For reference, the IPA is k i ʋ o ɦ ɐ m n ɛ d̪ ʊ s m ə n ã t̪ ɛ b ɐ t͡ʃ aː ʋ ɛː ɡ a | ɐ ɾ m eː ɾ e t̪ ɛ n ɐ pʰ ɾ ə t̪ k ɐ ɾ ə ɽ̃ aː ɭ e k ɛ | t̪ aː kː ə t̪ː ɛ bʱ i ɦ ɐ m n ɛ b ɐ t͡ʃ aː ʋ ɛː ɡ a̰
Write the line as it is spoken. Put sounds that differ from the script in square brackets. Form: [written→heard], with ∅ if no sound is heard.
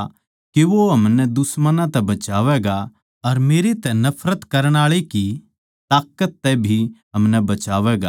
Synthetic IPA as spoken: k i ʋ o ɦ ɐ m n ɛ d̪ ʊ s m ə n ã t̪ ɛ b ɐ t͡ʃ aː ʋ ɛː ɡ a | ɐ ɾ m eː ɾ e t̪ ɛ n ɐ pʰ ɾ ə t̪ k ɐ ɾ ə ɽ̃ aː ɭ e k [ɛ→i] | t̪ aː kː ə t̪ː ɛ bʱ i ɦ ɐ m n ɛ b ɐ t͡ʃ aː ʋ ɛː ɡ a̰